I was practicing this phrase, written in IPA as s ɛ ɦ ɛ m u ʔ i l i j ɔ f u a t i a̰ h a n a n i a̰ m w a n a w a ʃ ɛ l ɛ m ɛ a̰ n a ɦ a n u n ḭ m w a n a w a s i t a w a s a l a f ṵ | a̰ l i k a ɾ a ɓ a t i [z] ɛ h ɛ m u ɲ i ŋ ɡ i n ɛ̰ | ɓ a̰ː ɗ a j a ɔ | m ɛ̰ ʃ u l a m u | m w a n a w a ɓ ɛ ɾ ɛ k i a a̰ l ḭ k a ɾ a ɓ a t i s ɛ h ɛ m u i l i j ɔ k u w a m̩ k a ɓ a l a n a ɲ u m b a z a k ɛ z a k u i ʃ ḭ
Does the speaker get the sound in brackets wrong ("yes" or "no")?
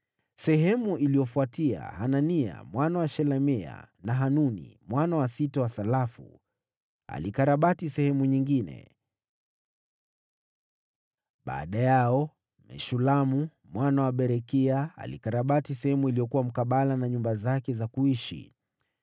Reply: yes